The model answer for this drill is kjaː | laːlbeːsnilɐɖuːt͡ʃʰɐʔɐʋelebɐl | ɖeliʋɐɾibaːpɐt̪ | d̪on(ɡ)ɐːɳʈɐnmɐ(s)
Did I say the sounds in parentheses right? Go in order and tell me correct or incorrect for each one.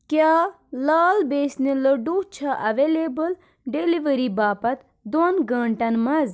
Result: correct, incorrect: z

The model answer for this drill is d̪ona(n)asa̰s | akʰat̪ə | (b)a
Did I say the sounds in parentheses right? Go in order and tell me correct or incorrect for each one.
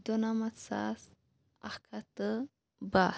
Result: incorrect: m, correct

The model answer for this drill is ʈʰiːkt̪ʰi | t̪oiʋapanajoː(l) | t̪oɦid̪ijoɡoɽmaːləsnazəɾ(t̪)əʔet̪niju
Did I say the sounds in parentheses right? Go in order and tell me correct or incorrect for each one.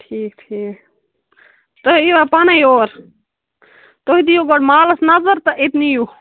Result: incorrect: ɾ, correct

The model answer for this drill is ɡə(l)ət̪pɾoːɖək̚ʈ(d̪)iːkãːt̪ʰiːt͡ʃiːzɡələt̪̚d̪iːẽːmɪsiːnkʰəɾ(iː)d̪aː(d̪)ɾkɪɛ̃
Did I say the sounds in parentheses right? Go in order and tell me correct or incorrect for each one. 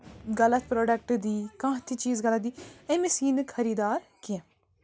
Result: correct, correct, correct, incorrect: none

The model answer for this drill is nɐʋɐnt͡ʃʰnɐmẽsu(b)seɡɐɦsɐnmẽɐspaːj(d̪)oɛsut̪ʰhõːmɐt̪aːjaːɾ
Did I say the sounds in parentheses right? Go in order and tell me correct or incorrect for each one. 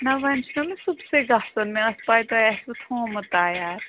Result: correct, incorrect: t̪

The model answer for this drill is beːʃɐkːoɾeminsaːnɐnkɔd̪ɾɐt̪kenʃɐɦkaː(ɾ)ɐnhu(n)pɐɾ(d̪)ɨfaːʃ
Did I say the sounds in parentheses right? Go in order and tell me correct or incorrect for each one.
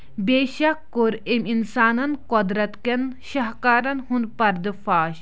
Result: correct, correct, correct

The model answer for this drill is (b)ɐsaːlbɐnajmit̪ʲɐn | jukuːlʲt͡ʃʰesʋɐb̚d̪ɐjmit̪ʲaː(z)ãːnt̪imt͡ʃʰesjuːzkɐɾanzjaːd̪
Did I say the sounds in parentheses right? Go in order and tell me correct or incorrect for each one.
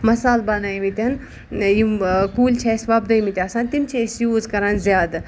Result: incorrect: m, incorrect: s

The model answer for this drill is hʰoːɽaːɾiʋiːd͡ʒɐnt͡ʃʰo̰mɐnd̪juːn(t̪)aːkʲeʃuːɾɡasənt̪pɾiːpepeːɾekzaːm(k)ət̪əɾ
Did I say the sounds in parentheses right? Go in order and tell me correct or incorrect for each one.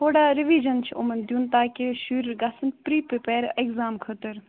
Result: correct, incorrect: kʰ

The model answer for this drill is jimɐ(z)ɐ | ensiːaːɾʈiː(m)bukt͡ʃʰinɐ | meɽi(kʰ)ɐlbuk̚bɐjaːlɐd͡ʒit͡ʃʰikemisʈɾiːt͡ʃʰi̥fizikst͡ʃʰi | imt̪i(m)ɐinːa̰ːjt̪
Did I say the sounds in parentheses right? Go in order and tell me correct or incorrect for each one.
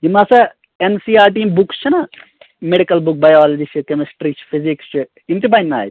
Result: incorrect: s, correct, incorrect: k, incorrect: b

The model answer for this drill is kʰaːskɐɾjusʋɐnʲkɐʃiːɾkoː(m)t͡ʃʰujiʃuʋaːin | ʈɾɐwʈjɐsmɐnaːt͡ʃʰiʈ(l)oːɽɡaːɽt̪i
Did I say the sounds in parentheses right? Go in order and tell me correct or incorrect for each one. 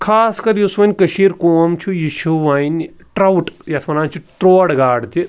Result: correct, incorrect: ɾ

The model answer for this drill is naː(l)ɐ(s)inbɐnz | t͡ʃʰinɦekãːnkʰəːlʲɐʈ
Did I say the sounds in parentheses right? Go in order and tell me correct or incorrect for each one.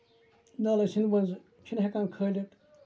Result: correct, correct

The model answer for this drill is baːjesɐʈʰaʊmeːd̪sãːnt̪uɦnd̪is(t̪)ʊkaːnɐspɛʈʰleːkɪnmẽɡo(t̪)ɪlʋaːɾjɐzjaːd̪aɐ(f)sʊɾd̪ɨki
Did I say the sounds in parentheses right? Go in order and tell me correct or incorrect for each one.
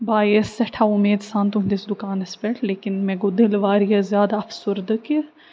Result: incorrect: d̪, incorrect: d̪, correct

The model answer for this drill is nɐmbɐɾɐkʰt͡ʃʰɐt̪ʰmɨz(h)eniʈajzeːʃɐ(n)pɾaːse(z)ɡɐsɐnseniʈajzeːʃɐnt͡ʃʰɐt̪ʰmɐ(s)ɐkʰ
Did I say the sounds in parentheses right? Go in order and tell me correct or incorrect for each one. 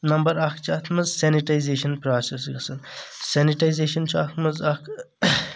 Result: incorrect: s, correct, incorrect: s, incorrect: z

